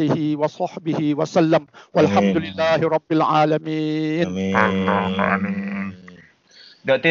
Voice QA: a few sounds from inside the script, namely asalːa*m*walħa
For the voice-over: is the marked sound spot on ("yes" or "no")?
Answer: yes